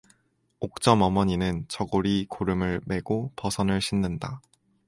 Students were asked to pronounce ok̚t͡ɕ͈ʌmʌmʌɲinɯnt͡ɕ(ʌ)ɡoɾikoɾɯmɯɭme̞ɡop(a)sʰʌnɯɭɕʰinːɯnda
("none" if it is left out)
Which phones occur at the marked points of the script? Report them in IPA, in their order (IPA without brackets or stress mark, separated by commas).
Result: ʌ, ʌ